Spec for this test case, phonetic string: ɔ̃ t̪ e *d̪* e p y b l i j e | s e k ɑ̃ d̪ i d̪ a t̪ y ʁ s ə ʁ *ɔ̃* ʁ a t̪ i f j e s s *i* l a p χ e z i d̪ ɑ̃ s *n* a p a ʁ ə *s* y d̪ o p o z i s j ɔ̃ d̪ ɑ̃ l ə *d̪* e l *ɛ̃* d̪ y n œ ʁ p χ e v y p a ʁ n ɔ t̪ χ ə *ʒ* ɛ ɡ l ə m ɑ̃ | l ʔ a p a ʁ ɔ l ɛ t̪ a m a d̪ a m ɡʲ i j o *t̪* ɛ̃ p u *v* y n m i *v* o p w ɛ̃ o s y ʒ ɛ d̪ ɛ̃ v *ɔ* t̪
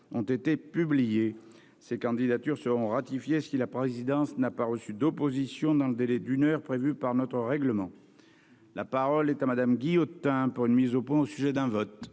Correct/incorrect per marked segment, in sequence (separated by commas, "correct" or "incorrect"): incorrect, correct, correct, correct, correct, correct, incorrect, incorrect, correct, incorrect, incorrect, correct